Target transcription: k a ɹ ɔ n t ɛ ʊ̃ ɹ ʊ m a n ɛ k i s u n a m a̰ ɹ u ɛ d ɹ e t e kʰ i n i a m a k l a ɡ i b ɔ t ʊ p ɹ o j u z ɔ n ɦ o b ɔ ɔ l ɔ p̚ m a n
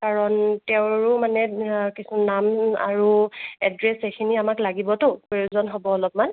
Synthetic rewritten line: k a ɹ ɔ n t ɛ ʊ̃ ɹ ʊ m a n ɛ k i s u n a m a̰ ɹ u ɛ d ɹ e s e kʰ i n i a m a k l a ɡ i b ɔ t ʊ p ɹ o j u z ɔ n ɦ o b ɔ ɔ l ɔ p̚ m a n